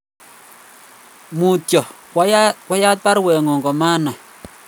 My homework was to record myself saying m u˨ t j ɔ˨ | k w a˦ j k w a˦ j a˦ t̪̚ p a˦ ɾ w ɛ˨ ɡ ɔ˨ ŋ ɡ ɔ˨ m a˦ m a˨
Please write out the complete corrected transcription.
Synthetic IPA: m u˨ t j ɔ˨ | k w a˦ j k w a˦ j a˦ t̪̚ p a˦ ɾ w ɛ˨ ŋ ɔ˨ ŋ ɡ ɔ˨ m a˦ n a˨